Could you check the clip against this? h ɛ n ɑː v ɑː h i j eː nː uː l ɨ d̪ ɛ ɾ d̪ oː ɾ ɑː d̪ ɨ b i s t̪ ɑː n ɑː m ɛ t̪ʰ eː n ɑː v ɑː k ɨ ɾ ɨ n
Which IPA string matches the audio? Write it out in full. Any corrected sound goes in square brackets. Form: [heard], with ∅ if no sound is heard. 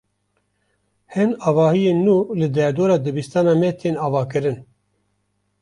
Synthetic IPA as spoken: h ɛ n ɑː v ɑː h i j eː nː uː l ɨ d̪ ɛ ɾ d̪ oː ɾ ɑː d̪ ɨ b i s t̪ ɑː n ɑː m ɛ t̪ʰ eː n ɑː v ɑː k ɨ ɾ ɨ n